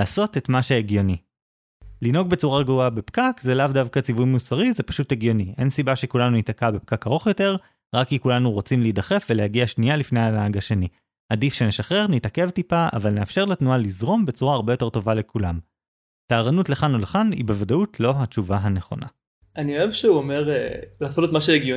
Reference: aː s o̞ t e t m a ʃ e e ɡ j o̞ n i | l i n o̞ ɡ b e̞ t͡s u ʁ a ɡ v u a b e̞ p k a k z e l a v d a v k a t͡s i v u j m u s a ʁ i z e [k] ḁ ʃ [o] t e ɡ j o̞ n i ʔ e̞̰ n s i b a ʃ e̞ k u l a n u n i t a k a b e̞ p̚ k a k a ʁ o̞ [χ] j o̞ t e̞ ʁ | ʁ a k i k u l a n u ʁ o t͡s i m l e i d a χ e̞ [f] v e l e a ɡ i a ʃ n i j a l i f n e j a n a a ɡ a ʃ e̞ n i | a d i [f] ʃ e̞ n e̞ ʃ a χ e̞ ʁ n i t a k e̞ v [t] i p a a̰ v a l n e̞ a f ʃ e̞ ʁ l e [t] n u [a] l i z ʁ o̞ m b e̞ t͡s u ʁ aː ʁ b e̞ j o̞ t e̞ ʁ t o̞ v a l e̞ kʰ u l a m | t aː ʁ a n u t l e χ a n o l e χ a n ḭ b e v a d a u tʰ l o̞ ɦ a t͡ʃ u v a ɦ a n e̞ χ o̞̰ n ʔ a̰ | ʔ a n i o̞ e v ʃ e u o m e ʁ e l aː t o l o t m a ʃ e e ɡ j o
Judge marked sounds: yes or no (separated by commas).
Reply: no, no, yes, yes, yes, yes, yes, yes